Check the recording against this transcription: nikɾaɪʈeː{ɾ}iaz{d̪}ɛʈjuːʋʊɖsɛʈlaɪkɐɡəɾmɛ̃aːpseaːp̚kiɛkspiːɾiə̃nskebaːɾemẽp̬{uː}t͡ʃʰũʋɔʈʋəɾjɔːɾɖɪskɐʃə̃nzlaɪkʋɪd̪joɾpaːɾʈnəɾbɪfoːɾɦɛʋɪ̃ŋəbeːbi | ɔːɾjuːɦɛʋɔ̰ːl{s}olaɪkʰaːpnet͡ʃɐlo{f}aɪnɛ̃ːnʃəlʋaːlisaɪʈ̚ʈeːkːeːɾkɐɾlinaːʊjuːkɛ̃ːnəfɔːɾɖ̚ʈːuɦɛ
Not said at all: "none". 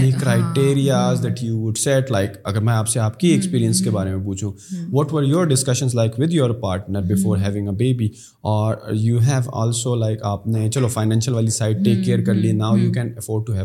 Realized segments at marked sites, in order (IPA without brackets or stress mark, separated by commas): ɾ, d̪, uː, s, f